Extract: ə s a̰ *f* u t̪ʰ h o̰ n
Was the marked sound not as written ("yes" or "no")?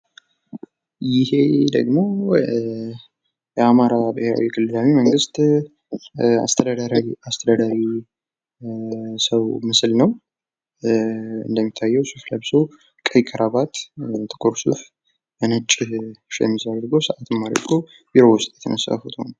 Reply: no